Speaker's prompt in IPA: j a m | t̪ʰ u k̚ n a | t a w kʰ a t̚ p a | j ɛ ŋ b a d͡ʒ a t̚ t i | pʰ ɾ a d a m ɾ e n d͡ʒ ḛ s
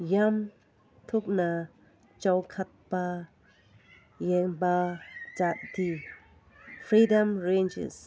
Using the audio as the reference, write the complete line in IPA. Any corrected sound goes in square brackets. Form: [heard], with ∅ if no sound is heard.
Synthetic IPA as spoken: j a m | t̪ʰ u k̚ n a | [t͡ʃ] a w kʰ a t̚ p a | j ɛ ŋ b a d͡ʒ a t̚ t i | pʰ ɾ [i] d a m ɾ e n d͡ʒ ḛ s